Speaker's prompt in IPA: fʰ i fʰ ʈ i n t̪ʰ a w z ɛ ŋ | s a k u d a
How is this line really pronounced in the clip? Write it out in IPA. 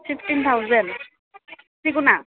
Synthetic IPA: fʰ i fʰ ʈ i n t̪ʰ a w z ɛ n | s i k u n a